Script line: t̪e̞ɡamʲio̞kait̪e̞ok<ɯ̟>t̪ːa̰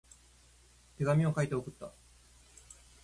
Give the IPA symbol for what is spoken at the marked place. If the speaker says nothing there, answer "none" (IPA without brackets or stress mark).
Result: ɯ̟